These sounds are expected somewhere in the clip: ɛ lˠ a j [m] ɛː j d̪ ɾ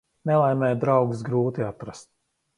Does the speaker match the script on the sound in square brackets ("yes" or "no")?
yes